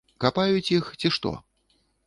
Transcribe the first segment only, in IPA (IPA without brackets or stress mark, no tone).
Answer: k